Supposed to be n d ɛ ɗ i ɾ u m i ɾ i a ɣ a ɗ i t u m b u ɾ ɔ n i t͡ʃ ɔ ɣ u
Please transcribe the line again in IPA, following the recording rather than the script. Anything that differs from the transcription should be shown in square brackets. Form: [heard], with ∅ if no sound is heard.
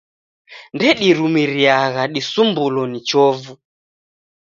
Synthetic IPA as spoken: n d ɛ ɗ i ɾ u m i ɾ i a ɣ a ɗ i [s] u m b u [l] ɔ n i t͡ʃ ɔ [v] u